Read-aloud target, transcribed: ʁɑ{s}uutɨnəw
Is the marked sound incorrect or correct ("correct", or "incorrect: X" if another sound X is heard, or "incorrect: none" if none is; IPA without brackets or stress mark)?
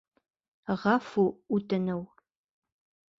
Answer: incorrect: f